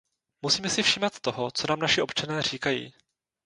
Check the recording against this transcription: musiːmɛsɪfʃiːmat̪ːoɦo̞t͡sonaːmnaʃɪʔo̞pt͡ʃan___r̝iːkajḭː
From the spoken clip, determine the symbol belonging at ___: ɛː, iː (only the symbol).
ɛː